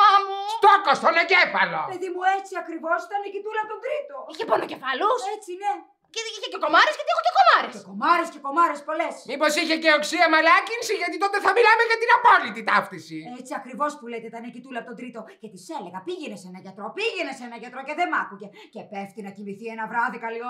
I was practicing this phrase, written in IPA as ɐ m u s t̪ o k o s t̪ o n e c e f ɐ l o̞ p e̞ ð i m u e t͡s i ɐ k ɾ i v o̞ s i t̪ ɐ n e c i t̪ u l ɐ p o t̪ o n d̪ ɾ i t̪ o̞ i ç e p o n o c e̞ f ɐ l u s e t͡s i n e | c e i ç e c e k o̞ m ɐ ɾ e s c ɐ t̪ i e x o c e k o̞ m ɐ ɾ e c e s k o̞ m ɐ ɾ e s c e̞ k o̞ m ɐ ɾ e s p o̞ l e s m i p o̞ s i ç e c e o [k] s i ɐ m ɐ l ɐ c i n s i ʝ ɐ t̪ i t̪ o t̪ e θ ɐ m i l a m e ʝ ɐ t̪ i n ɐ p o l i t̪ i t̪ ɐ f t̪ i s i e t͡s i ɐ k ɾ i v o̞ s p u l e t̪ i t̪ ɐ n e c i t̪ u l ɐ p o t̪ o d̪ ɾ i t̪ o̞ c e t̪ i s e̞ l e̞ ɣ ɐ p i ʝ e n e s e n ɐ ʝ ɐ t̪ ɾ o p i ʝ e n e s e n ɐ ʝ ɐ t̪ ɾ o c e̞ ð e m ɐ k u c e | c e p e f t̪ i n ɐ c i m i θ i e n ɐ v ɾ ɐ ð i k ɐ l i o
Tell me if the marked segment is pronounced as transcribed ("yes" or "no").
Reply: yes